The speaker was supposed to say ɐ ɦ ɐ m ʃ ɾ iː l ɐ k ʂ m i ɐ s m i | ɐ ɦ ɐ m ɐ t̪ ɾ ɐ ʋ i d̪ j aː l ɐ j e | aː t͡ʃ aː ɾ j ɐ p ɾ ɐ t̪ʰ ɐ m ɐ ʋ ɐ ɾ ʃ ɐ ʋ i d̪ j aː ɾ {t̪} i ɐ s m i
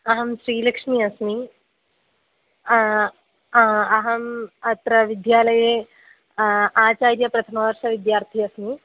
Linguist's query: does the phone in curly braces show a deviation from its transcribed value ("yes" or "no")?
yes